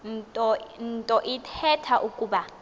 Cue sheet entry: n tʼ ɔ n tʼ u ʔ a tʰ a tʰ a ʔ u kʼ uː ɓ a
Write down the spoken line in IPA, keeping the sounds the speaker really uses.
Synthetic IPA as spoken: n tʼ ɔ n tʼ ɔ ʔ i tʰ ɛ tʰ a ʔ u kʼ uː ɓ a